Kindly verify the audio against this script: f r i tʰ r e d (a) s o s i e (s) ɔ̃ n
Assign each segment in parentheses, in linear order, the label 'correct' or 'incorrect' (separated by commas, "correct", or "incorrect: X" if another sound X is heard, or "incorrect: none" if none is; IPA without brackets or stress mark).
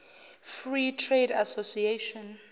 correct, incorrect: ʃ